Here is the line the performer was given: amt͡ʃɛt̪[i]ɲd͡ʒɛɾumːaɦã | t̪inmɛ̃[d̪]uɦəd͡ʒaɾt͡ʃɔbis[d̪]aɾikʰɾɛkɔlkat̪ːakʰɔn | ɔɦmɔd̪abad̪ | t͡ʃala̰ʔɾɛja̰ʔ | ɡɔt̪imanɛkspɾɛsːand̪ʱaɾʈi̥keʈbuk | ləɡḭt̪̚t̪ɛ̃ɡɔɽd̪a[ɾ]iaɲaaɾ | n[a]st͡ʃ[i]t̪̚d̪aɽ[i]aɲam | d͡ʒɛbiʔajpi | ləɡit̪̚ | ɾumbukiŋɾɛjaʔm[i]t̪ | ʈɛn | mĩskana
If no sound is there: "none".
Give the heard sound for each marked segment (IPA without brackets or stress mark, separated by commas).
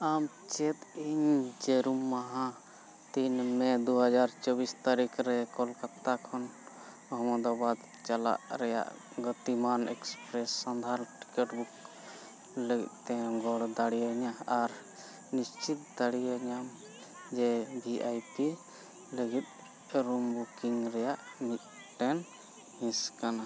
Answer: i, d̪, t̪, ɽ, i, i, i, i